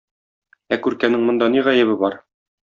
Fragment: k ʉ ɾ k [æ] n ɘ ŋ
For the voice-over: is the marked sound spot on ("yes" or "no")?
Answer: yes